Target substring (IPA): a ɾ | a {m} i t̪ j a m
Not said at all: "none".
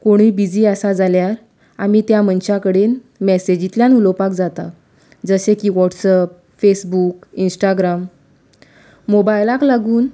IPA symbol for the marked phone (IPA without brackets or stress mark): m